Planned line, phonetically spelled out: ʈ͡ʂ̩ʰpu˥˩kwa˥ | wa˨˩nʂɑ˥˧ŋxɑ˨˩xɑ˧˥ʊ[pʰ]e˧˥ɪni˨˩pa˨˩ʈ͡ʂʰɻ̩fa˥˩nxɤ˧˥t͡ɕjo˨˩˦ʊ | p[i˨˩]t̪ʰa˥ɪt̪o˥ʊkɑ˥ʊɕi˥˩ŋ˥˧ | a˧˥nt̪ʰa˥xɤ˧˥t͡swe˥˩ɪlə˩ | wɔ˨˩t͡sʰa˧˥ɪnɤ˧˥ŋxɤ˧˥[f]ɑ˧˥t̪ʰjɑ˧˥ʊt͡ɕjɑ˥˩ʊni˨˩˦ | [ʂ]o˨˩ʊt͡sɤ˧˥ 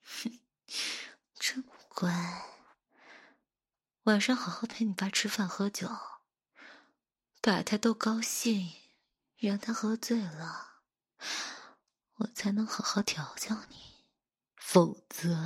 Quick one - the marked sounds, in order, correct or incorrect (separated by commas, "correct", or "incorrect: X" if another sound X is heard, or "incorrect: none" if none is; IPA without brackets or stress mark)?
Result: correct, incorrect: a˨˩, incorrect: x, incorrect: f